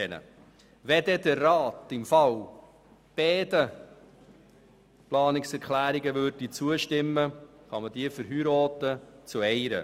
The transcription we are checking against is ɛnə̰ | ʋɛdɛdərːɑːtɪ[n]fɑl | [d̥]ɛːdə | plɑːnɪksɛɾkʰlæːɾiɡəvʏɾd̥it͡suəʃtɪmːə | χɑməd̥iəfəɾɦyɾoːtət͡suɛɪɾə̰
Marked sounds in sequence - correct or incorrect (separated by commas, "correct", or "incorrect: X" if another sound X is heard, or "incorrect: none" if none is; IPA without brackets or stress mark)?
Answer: incorrect: m, incorrect: b̥